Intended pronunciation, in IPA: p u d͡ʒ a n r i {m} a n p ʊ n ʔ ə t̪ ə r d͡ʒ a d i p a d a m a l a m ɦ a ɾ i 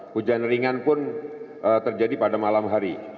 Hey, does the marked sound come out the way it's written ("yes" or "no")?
no